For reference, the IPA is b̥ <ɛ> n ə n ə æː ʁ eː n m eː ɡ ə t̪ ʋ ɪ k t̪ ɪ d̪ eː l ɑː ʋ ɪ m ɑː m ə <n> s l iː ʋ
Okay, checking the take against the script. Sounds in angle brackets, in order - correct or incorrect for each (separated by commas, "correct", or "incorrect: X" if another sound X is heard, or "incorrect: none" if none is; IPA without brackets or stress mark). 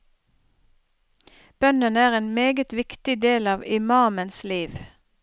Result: incorrect: œ, correct